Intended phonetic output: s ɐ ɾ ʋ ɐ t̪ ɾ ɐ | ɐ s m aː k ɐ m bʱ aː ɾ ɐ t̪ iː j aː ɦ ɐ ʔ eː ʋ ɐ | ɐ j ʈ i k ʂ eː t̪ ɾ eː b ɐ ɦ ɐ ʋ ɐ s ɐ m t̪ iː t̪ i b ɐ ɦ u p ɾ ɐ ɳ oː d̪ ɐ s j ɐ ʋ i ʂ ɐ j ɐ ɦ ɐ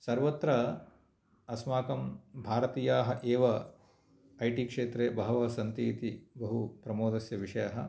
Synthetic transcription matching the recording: s ɐ ɾ ʋ ɐ t̪ ɾ ɐ | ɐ s m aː k ɐ m bʱ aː ɾ ɐ t̪ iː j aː ɦ ɐ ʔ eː ʋ ɐ | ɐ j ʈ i k ʂ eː t̪ ɾ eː b ɐ ɦ ɐ ʋ ɐ s ɐ n t̪ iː t̪ i b ɐ ɦ u p ɾ ɐ m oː d̪ ɐ s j ɐ ʋ i ʂ ɐ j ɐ ɦ ɐ